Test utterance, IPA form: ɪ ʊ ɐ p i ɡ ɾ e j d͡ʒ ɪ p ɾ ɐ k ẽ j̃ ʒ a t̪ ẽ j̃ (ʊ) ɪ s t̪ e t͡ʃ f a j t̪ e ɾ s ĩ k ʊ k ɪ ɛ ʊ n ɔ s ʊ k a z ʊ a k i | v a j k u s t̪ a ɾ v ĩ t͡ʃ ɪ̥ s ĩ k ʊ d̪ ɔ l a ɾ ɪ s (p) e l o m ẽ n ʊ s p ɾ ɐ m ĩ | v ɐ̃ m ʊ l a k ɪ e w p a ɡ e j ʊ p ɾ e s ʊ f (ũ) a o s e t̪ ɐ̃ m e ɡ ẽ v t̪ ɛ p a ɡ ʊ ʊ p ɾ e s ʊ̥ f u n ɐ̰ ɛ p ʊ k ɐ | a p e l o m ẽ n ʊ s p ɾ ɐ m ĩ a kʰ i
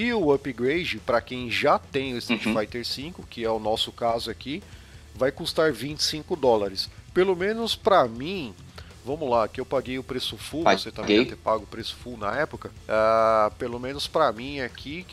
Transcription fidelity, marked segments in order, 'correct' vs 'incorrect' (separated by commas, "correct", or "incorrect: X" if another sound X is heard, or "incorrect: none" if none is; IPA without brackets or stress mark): correct, correct, incorrect: u